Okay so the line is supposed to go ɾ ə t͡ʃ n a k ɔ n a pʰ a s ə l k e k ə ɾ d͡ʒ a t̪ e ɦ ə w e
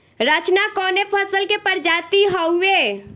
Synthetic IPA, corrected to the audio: ɾ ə t͡ʃ n a k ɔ n e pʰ ə s ə l k e p ə ɾ d͡ʒ a t̪ i ɦ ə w e